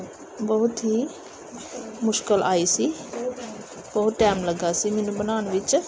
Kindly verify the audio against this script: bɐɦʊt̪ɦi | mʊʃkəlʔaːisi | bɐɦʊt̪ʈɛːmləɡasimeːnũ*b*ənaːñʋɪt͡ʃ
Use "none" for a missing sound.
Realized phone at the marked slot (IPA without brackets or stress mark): b